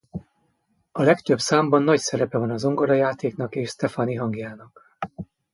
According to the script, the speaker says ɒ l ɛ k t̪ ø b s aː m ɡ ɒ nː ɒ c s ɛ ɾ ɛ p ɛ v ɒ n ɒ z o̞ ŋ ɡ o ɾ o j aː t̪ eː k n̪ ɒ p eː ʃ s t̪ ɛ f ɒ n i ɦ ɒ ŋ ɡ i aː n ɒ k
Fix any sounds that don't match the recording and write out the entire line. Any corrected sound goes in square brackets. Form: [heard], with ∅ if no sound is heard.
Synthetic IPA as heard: ɒ l ɛ k t̪ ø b s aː m [b] ɒ nː ɒ c s ɛ ɾ ɛ p ɛ v ɒ n ɒ z o̞ ŋ ɡ o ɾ [ɒ] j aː t̪ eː k n̪ ɒ [k] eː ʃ s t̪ ɛ f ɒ n i ɦ ɒ ŋ ɡ [j] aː n ɒ k